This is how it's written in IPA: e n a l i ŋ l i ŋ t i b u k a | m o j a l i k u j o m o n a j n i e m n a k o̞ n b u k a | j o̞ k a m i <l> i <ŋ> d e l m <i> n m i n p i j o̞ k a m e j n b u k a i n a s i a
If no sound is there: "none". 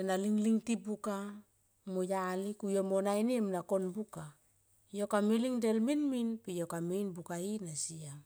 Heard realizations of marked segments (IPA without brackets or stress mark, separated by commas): l, ŋ, i